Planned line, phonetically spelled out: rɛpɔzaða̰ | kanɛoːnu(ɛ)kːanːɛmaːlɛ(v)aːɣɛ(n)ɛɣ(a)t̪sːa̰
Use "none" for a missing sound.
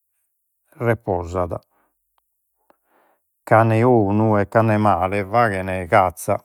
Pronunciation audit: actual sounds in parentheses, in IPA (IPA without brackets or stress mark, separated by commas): ɛ, v, n, a